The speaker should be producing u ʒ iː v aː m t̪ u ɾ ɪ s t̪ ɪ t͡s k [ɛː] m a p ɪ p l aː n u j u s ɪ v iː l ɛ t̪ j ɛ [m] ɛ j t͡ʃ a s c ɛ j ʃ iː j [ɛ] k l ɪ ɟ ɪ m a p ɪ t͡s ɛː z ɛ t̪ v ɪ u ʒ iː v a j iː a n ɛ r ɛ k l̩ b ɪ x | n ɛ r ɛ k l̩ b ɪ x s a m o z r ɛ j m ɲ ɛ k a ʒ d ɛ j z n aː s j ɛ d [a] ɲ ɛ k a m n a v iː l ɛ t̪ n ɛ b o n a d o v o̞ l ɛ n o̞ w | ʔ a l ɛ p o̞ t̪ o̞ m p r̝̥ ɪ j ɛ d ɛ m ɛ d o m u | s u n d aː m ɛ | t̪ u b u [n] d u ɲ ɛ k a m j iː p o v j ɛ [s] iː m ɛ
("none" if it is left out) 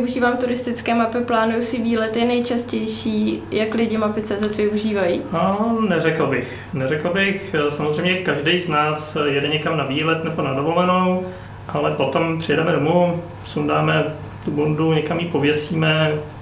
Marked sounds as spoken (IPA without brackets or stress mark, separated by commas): ɛː, n, a, ɛ, n, s